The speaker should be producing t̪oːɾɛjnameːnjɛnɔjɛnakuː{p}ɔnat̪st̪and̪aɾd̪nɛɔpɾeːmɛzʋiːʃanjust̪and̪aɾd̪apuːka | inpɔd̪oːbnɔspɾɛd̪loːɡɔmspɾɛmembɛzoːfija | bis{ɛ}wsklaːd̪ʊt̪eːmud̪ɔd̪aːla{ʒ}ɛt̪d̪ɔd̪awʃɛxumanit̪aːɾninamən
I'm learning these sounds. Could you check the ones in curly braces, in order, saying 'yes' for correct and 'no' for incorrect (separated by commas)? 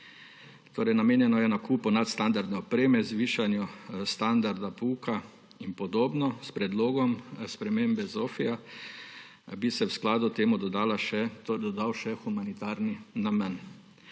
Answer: yes, yes, no